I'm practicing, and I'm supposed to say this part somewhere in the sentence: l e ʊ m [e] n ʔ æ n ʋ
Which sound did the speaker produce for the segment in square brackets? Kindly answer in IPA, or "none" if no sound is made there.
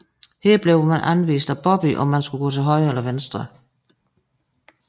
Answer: æ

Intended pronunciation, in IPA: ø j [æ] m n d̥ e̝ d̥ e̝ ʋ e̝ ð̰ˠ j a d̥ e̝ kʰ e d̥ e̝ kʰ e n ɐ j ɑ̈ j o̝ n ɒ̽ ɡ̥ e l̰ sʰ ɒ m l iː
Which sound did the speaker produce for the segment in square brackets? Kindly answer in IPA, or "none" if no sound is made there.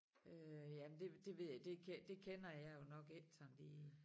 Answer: æ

